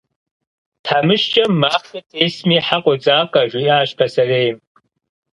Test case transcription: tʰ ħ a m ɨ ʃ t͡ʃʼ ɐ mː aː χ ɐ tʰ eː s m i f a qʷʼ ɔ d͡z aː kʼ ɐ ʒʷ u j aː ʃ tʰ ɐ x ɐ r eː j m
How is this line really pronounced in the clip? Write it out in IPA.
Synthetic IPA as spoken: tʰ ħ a m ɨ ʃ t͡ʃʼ ɐ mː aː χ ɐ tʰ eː s m i ħ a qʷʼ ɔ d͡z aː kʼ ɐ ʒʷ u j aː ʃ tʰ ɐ s ɐ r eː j m